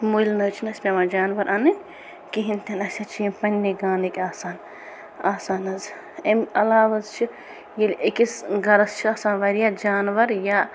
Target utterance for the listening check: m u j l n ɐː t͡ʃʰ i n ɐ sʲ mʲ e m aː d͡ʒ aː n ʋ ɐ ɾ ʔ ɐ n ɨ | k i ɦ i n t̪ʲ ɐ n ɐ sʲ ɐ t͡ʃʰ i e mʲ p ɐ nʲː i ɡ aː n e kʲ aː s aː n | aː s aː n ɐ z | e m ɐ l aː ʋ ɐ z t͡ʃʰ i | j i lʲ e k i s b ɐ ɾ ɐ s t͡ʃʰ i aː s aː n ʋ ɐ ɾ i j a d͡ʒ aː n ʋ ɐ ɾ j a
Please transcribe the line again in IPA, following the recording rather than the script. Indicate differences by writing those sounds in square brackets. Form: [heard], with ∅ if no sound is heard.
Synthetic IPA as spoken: m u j l n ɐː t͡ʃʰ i n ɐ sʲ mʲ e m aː d͡ʒ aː n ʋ ɐ ɾ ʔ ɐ n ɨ | k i ɦ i n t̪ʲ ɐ n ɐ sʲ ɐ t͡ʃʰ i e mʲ p ɐ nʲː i ɡ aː n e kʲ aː s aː n | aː s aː n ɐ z | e m ɐ l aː ʋ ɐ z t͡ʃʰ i | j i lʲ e k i s [ɡ] ɐ ɾ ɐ s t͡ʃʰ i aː s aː n ʋ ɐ ɾ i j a d͡ʒ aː n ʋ ɐ ɾ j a